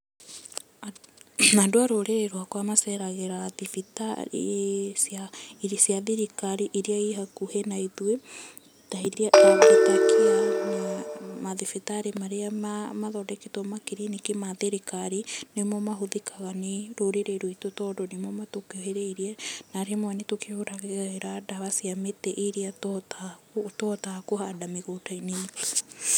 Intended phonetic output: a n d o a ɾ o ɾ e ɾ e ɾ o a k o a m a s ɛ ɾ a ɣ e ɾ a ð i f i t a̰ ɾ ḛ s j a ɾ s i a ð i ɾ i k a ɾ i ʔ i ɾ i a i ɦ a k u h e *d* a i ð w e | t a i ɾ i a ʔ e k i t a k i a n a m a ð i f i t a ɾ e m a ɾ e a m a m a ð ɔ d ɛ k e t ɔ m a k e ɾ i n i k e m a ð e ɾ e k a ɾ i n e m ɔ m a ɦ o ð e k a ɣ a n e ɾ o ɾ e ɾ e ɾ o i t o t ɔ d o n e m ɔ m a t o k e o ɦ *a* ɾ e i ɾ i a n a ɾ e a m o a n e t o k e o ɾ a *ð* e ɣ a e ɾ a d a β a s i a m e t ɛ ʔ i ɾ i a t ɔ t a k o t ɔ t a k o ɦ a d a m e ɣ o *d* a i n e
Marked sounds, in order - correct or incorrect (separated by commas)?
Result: incorrect, incorrect, incorrect, incorrect